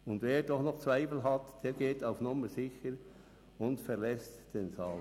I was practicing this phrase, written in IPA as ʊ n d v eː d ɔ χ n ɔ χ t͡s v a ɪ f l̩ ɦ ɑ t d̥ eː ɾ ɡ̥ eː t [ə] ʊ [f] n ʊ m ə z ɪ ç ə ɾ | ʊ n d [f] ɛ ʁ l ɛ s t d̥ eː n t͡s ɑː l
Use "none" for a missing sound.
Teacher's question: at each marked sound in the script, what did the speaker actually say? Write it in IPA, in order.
a, f, f

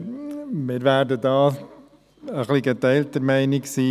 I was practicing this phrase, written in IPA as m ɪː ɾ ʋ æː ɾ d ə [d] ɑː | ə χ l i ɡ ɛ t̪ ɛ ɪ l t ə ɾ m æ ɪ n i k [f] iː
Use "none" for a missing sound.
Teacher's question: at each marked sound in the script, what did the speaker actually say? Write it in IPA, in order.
d, s

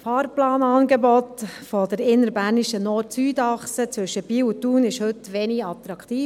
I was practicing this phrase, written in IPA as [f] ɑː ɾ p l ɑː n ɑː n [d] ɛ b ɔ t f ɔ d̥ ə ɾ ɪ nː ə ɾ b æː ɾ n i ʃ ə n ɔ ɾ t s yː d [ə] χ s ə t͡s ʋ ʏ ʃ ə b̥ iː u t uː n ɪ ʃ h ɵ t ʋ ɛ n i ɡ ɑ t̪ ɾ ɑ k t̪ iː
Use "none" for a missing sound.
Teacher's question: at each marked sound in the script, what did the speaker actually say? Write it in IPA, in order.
f, ɡ, ɑ

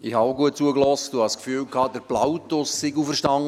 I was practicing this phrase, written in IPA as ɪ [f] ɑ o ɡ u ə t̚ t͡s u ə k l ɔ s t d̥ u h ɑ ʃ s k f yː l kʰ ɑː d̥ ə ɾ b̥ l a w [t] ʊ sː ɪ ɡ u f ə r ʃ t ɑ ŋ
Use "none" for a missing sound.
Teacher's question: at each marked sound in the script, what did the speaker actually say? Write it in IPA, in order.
h, t

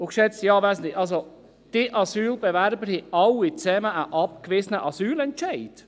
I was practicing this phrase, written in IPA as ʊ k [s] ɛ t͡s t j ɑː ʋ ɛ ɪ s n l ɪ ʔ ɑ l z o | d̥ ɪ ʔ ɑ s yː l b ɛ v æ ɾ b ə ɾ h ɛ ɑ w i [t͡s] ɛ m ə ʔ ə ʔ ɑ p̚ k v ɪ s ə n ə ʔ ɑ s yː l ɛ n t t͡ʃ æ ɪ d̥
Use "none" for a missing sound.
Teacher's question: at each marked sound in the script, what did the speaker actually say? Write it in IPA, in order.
ʃ, t͡s

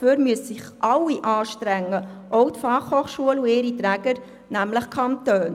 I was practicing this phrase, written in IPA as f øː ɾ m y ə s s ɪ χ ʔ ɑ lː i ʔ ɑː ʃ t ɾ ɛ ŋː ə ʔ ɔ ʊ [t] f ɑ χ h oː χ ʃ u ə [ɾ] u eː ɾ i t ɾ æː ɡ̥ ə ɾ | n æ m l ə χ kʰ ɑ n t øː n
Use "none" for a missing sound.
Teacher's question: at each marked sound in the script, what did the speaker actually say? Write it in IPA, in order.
t, l

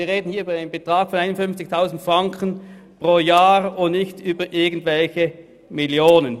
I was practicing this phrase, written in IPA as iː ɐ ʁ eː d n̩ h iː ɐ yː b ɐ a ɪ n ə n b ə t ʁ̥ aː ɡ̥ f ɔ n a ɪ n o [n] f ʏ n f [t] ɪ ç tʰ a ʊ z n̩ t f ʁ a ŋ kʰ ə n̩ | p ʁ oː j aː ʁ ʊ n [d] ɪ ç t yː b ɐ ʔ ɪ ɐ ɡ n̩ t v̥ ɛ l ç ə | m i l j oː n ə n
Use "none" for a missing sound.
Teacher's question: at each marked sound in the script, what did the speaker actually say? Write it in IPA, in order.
n, t͡s, n

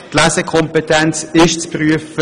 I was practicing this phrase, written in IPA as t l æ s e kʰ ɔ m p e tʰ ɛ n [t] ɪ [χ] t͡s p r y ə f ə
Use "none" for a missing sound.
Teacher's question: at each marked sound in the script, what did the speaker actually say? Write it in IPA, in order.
t͡s, ʃ

